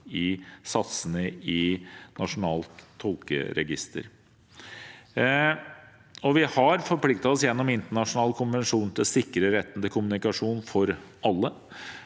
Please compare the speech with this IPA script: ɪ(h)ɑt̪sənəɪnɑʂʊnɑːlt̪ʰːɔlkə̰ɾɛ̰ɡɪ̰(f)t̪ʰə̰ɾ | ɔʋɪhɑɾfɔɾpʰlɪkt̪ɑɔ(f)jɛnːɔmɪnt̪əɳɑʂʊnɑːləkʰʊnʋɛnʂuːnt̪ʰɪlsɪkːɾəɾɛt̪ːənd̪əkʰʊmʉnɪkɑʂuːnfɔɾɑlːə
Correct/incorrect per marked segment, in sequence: incorrect, incorrect, incorrect

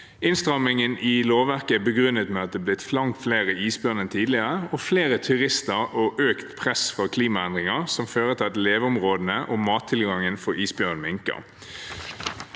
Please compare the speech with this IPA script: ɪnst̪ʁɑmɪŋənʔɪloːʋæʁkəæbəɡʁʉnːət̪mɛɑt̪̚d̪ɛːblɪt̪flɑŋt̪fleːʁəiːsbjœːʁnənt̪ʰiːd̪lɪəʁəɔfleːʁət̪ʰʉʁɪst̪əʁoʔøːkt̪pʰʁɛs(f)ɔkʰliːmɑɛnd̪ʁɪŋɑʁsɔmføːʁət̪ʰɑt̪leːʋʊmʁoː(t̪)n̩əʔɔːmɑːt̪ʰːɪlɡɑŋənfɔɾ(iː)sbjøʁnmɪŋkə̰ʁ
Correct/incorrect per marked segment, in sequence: correct, incorrect, correct

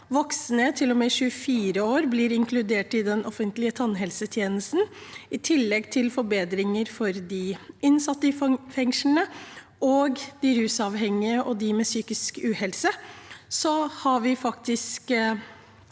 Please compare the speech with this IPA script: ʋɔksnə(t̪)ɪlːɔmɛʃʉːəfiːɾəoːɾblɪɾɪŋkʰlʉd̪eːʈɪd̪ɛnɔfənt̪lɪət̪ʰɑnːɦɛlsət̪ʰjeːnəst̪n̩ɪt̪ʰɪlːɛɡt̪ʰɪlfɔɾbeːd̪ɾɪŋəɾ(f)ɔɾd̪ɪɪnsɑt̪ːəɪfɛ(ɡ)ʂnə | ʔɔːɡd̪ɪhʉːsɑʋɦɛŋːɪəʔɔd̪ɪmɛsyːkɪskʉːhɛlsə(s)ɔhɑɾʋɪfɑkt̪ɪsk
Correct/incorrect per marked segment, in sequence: incorrect, correct, incorrect, correct

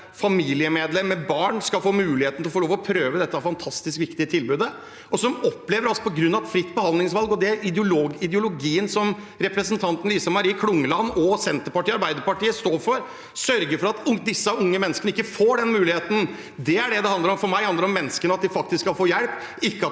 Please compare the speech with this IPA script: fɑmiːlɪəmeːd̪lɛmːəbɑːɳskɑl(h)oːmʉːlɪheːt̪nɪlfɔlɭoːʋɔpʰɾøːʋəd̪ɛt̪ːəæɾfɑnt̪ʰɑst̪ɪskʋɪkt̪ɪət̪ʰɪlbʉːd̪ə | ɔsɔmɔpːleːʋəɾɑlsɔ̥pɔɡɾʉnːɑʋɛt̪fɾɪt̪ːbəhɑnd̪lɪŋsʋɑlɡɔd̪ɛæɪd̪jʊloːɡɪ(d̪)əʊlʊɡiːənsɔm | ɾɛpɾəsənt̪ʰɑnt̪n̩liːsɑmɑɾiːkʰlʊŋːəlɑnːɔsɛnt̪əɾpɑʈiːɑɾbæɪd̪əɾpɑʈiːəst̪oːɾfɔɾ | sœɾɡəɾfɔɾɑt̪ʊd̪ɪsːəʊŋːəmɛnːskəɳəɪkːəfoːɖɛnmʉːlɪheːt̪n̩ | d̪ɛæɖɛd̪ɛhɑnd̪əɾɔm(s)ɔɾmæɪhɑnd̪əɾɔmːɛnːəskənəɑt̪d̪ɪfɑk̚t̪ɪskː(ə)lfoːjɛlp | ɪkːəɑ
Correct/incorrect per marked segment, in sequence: incorrect, correct, incorrect, incorrect

